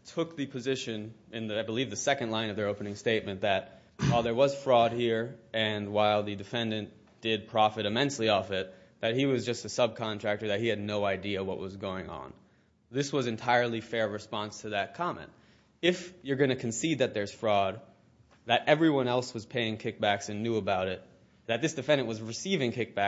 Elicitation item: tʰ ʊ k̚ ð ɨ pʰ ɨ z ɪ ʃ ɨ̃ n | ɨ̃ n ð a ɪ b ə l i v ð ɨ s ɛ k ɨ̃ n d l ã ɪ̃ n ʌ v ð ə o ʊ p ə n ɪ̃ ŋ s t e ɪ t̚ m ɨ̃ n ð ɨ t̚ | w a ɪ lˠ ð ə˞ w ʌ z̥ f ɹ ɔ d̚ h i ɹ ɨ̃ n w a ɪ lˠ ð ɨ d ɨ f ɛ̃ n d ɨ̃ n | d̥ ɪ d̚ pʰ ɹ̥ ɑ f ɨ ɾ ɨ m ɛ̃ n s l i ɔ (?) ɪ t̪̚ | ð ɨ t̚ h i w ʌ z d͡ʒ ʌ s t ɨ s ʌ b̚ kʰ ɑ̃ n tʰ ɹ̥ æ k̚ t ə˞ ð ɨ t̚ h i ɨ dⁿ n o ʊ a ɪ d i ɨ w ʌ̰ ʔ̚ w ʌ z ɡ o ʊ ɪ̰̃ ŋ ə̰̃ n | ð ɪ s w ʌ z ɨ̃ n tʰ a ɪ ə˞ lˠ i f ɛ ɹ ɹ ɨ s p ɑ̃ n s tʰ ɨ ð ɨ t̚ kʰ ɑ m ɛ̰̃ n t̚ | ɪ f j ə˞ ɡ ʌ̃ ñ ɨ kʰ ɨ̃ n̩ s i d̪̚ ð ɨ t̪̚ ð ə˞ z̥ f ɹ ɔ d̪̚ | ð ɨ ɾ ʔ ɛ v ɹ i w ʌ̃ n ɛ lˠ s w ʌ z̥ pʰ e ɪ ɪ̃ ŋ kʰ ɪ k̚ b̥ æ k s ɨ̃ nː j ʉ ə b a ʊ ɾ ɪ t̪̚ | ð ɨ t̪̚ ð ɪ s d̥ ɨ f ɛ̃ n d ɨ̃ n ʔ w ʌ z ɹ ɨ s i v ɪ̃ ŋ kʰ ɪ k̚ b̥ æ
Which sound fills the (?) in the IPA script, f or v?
f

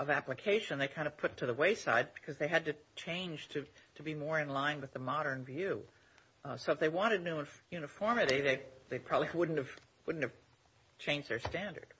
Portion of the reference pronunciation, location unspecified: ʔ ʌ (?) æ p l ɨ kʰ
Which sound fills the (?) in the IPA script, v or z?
v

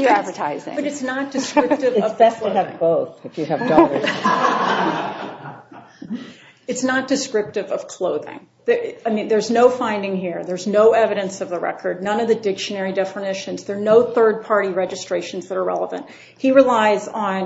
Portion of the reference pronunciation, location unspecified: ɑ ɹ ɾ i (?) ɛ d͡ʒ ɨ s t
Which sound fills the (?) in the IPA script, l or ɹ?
ɹ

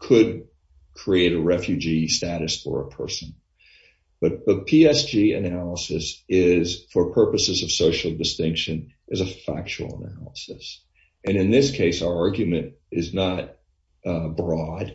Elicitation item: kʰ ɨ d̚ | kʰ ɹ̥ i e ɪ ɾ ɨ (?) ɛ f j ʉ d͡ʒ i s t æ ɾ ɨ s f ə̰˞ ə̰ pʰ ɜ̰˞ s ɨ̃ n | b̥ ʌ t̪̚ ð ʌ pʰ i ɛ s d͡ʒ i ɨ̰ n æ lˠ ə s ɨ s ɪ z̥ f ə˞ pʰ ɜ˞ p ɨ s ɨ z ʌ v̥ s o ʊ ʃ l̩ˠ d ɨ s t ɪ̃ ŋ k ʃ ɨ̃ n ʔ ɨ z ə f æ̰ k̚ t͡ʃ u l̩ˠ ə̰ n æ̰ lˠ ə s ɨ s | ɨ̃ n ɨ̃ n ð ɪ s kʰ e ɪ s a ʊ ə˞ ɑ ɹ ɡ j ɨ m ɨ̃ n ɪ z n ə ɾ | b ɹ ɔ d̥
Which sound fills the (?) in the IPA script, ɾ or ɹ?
ɹ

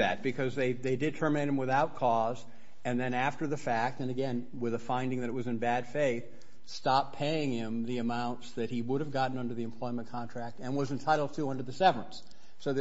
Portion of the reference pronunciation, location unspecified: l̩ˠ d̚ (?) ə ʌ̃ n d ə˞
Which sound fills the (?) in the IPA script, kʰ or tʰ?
tʰ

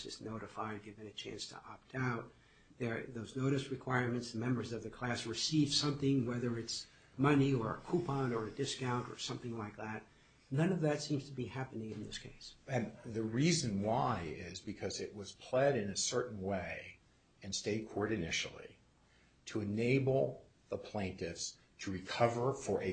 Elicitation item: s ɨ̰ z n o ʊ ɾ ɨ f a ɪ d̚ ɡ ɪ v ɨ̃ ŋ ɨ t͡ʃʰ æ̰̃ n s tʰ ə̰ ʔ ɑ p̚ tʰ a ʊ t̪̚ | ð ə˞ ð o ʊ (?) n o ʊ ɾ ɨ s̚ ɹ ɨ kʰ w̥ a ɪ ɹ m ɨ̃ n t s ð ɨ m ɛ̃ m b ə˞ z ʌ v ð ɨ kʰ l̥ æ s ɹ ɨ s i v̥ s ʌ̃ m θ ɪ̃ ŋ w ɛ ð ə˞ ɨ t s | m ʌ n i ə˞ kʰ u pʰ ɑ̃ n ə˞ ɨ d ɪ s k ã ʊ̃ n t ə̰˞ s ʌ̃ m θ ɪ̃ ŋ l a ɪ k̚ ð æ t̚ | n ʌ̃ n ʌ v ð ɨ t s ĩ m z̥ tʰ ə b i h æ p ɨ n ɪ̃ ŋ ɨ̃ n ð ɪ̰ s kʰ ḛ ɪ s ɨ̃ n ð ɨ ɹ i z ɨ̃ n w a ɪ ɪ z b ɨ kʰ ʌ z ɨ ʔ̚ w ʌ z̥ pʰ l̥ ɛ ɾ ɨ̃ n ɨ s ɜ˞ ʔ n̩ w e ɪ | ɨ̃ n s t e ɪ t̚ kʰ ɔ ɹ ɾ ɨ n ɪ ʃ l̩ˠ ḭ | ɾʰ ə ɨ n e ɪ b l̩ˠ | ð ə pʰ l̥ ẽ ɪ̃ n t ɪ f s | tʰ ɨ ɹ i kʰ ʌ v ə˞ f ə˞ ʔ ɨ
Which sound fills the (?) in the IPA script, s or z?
z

